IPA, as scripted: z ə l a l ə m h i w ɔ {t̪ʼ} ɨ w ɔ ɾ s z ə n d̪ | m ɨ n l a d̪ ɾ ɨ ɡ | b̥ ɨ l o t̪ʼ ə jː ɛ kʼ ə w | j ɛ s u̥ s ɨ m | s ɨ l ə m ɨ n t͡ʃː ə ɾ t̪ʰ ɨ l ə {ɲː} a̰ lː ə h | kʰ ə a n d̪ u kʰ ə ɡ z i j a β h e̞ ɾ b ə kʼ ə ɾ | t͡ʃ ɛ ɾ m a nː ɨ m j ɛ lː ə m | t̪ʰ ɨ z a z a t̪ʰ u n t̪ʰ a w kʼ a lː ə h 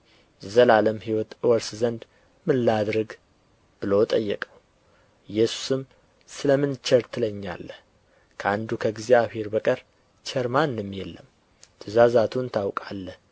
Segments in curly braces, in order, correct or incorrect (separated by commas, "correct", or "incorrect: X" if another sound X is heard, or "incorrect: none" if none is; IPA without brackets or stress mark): incorrect: t̪, correct